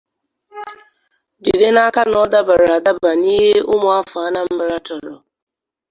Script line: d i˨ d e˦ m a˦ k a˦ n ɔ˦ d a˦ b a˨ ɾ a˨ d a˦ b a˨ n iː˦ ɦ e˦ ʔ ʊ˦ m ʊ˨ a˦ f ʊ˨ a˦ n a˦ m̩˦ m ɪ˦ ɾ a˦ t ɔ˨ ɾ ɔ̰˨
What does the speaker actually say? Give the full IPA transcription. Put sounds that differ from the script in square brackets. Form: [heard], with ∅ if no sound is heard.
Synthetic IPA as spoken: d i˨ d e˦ [n] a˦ k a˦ n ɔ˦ d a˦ b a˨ ɾ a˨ d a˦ b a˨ n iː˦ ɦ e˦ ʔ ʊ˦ m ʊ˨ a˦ f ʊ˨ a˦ n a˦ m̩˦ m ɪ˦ ɾ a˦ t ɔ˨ ɾ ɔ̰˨